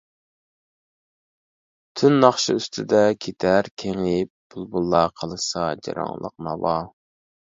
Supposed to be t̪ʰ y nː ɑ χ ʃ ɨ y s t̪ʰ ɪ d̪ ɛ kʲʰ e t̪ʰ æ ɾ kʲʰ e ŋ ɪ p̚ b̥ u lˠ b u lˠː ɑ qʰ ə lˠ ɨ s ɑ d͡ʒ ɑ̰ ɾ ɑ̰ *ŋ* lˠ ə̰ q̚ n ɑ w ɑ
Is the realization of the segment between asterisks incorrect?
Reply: no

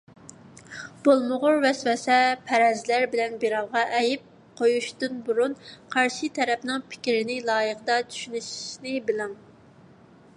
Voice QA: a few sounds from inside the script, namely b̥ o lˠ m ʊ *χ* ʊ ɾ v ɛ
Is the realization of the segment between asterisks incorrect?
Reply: yes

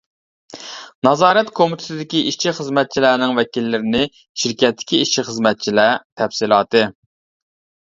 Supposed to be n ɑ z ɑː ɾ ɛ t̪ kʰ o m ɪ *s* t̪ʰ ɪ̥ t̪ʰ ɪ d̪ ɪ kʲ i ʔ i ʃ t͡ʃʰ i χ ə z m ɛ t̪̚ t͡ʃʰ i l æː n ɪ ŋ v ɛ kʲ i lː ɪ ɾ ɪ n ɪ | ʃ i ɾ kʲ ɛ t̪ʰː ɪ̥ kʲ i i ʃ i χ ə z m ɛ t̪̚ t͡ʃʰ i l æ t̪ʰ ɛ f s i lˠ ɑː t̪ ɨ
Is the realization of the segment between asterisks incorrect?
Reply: yes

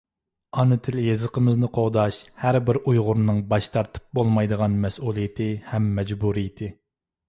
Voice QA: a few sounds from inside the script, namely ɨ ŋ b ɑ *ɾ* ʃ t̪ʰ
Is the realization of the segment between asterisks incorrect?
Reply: yes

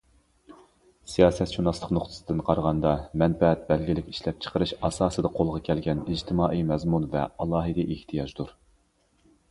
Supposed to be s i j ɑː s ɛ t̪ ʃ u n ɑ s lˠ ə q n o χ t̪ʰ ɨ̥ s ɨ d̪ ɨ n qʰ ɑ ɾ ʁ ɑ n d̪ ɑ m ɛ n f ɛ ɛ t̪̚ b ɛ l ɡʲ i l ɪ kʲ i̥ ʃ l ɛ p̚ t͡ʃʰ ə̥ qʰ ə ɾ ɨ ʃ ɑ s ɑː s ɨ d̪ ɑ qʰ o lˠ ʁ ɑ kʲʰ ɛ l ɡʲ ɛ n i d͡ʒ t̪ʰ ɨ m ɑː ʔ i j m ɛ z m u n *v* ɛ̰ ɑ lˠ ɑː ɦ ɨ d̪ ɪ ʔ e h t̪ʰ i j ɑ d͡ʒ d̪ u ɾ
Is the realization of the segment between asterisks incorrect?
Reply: no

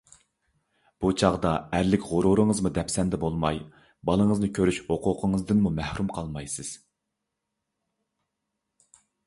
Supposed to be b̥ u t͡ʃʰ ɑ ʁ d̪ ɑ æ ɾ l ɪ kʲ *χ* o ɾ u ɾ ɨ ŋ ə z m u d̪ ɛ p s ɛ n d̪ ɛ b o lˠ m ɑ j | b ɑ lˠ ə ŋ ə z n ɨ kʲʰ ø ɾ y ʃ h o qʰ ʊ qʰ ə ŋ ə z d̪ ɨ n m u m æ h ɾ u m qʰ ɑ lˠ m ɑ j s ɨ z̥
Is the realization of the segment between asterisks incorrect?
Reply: yes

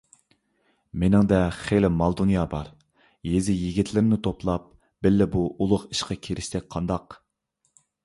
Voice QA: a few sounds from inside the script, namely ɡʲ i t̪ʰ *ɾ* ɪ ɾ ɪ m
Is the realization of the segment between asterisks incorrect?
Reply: yes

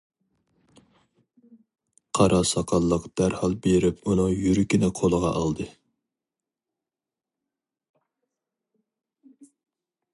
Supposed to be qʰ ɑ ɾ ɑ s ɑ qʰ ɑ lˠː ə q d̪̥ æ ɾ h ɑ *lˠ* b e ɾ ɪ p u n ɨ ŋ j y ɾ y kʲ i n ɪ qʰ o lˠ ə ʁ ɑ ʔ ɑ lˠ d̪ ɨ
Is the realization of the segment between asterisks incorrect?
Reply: no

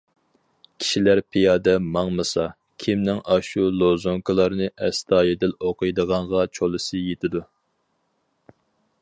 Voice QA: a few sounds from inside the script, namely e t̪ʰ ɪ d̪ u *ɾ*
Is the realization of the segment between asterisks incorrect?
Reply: yes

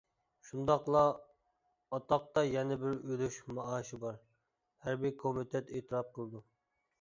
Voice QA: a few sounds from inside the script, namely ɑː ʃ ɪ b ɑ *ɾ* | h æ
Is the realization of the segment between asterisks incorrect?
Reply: no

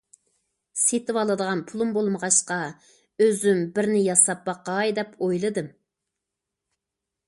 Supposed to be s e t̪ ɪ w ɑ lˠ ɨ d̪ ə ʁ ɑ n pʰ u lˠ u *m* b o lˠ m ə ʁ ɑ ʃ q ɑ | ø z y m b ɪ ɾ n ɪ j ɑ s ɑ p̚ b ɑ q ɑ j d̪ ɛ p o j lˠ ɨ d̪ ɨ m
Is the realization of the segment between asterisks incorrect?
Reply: no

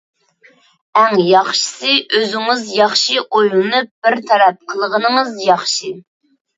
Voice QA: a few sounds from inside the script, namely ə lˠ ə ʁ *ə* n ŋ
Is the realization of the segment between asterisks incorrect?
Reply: no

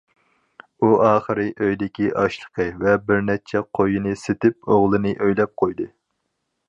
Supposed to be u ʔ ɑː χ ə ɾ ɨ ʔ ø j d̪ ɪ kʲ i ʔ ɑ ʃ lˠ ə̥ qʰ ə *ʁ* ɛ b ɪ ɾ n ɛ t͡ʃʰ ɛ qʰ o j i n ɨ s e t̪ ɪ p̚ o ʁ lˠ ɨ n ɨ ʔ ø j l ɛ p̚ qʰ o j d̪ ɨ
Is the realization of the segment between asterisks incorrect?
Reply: yes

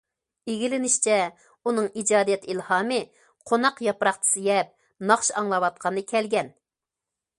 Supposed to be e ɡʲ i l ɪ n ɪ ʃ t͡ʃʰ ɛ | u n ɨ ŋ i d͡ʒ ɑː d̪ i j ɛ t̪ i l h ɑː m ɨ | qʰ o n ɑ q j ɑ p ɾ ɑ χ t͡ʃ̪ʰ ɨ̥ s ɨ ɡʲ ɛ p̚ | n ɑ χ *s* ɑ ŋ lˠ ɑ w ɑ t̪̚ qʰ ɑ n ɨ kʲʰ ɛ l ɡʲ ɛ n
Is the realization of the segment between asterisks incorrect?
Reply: yes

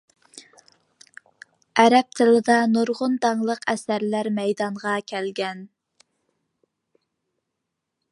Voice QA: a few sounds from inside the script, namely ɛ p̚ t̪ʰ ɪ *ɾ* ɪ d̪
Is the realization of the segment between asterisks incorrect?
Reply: yes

